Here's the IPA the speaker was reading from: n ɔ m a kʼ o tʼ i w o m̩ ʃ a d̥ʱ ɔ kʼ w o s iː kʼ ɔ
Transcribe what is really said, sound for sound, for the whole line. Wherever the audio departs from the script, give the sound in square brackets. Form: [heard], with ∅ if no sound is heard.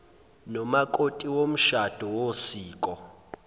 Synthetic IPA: n ɔ m a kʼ o tʼ i w o m̩ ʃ a d̥ʱ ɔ [∅] w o s iː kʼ ɔ